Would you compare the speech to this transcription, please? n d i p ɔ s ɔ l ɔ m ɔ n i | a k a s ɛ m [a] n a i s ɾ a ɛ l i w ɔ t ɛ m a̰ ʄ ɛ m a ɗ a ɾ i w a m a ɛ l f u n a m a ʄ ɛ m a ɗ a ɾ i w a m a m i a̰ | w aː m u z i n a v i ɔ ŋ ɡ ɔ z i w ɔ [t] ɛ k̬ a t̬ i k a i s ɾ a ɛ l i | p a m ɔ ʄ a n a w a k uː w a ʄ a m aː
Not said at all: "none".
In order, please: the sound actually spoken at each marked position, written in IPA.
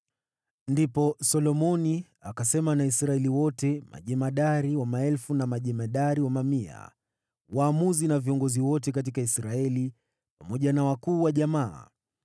a, t

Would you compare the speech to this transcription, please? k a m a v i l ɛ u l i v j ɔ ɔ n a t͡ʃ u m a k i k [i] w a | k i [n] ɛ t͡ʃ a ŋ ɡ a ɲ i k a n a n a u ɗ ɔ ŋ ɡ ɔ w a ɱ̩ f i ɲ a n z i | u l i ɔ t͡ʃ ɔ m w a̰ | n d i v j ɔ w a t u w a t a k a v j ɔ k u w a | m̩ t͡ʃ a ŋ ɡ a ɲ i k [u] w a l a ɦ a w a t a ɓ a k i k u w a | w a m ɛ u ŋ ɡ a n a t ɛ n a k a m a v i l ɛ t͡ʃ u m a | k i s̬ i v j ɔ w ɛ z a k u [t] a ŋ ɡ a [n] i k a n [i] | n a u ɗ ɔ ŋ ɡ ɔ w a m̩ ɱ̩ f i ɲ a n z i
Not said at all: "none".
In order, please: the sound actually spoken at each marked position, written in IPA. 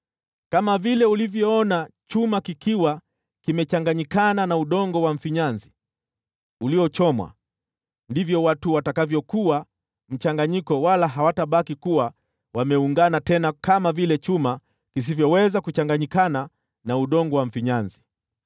i, m, ɔ, t͡ʃ, ɲ, a

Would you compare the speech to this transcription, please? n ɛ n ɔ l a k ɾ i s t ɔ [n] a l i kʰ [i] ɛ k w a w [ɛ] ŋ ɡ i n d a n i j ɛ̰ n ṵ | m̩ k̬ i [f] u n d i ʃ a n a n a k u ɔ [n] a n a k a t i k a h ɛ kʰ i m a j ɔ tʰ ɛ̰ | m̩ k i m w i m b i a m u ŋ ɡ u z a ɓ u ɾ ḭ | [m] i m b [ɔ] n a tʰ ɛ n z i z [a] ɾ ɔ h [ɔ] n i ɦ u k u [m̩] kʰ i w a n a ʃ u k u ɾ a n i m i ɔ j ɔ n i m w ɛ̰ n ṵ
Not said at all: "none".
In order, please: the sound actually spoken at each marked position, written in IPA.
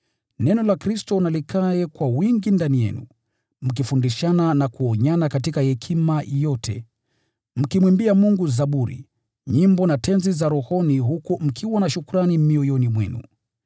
n, a, i, f, ɲ, ɲ, ɔ, a, ɔ, m̩

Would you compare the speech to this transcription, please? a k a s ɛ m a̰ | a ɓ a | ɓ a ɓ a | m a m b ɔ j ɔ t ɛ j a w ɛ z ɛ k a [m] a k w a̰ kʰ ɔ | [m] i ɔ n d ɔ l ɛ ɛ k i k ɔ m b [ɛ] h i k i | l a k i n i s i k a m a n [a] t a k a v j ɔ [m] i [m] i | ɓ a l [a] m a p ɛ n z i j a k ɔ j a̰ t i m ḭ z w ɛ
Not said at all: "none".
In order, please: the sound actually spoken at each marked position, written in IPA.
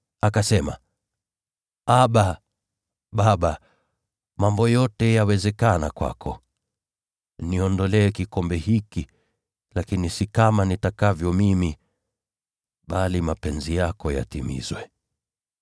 n, n, ɛ, i, m, m, i

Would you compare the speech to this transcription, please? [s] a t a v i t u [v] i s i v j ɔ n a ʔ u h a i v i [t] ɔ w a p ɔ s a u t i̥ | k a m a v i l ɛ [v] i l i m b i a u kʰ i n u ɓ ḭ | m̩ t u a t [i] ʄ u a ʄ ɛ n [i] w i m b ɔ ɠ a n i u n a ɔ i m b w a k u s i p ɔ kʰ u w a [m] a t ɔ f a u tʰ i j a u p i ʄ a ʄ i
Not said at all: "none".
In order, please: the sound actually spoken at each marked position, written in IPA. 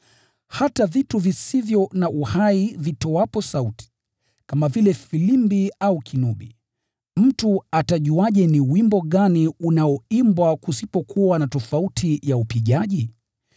h, v, t, f, a, i, n

